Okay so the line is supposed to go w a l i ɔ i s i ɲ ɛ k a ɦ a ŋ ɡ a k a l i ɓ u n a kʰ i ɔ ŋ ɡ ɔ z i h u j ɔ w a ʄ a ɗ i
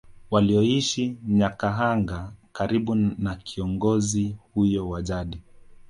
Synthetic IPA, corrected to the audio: w a l i ɔ i ʃ i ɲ a k a ɦ a ŋ ɡ a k a ɾ i ɓ u n a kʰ i ɔ ŋ ɡ ɔ z i h u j ɔ w a ʄ a ɗ i